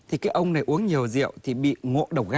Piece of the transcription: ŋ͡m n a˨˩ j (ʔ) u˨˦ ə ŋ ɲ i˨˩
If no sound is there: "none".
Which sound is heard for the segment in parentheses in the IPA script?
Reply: ʔ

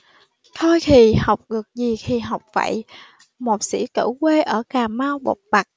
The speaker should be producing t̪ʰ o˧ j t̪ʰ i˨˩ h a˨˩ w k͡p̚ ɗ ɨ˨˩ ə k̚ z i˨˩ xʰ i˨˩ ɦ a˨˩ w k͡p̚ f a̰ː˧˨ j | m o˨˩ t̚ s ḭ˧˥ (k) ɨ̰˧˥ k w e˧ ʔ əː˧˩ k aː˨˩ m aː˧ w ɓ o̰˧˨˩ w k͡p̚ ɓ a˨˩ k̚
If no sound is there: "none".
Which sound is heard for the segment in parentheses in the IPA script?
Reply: k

